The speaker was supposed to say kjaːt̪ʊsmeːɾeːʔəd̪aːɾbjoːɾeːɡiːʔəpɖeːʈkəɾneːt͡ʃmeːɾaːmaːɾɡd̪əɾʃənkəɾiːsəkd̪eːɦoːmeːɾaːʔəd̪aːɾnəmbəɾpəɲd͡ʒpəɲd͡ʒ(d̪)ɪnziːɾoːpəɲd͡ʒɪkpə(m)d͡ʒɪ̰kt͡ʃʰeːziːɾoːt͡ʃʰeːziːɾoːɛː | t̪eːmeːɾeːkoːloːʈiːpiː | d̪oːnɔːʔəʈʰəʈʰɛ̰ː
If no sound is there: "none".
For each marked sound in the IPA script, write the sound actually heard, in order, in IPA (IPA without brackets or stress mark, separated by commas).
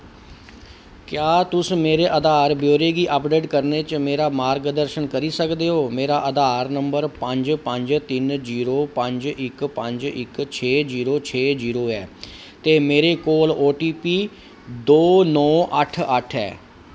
t̪, ɲ